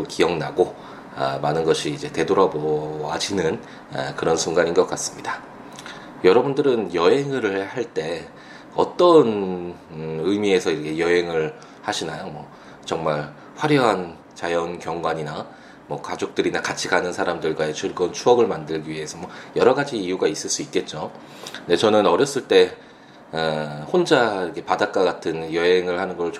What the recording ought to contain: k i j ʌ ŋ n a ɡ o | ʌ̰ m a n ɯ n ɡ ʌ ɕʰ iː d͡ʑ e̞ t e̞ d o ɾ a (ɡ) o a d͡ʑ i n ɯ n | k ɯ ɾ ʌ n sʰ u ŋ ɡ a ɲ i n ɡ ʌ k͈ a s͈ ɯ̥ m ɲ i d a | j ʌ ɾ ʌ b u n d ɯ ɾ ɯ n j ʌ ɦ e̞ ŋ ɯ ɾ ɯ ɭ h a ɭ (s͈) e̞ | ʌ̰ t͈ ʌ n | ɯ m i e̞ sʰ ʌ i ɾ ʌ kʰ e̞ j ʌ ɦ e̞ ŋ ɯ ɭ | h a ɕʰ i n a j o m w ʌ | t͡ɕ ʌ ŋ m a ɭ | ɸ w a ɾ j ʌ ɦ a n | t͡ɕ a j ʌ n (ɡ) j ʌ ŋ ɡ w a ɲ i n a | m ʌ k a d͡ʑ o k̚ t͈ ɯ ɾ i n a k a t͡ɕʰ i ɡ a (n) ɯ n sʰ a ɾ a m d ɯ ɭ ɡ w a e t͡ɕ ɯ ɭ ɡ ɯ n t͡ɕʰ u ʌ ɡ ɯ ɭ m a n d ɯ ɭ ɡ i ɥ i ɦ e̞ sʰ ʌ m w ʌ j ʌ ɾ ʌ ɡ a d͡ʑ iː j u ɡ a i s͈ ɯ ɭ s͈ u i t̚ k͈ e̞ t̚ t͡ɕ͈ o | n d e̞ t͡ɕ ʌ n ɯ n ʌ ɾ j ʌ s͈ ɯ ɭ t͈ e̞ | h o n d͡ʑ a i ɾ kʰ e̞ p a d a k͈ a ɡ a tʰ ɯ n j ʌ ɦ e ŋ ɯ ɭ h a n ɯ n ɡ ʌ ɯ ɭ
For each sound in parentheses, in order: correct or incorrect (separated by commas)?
incorrect, incorrect, incorrect, correct